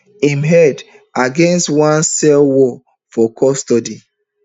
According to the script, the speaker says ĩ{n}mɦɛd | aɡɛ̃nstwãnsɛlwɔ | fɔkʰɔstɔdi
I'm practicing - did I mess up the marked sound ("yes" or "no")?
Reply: yes